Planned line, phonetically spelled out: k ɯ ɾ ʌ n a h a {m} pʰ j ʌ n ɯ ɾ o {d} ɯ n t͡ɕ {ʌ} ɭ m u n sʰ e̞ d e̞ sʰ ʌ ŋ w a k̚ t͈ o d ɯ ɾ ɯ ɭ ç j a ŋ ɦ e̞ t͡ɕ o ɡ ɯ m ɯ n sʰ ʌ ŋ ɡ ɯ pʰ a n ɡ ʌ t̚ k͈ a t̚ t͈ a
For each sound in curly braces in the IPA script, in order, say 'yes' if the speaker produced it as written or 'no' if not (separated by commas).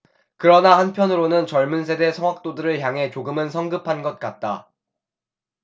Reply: no, no, yes